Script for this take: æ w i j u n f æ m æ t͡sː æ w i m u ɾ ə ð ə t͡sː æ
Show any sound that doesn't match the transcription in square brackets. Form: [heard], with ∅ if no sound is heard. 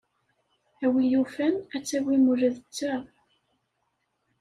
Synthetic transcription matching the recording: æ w i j u [∅] f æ [n] æ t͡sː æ w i m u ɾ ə ð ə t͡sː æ